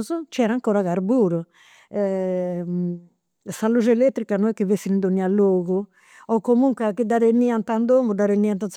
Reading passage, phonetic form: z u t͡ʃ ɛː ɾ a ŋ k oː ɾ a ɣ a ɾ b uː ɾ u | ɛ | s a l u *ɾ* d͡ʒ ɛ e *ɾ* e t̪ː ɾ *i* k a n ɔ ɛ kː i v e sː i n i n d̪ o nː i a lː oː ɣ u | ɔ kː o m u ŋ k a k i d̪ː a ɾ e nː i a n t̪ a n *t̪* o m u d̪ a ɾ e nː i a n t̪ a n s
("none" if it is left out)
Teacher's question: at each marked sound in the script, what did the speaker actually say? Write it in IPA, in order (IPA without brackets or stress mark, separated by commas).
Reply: none, l, i, d̪